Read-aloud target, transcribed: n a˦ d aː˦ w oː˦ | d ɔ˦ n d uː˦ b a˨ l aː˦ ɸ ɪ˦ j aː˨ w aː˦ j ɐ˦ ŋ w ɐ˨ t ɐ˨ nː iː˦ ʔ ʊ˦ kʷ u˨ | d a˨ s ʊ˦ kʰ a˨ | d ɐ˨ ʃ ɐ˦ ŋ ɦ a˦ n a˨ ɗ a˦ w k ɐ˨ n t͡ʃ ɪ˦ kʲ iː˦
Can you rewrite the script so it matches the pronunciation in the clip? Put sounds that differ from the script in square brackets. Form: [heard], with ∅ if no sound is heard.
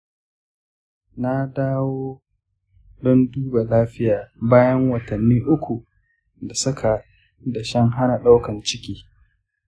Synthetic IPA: n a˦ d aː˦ w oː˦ | d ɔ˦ n d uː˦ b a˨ l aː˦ ɸ ɪ˦ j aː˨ [b] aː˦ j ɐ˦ ŋ w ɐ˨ t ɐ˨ nː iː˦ ʔ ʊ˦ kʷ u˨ | d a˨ s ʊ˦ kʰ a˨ | d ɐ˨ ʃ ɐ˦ ŋ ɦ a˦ n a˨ ɗ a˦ w k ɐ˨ n t͡ʃ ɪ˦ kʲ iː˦